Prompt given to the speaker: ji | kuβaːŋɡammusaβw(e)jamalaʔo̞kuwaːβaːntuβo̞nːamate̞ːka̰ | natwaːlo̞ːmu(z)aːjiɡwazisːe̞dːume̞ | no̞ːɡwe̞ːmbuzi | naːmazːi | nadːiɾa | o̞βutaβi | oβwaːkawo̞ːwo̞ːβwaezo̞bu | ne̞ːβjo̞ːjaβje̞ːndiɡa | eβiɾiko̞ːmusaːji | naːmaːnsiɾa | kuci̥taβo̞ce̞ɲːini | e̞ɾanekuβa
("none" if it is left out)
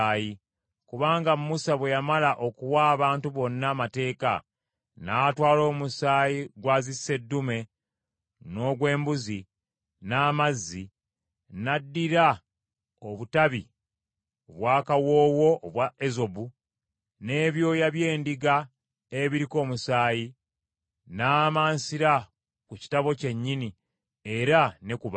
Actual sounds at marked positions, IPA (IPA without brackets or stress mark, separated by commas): e, s